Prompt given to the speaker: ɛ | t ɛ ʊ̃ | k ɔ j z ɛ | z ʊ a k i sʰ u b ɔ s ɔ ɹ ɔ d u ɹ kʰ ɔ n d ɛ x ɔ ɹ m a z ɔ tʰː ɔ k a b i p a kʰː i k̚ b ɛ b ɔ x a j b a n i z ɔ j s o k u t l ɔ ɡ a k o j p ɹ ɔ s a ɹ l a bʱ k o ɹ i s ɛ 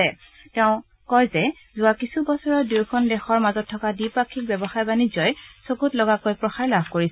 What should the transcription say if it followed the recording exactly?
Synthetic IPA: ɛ | t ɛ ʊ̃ | k ɔ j z ɛ | z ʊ a k i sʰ u b ɔ s ɔ ɹ ɔ d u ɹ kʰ ɔ n d ɛ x ɔ ɹ m a z ɔ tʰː ɔ k a d i p a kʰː i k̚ b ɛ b ɔ x a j b a n i z ɔ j s o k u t l ɔ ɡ a k o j p ɹ ɔ x a ɹ l a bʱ k o ɹ i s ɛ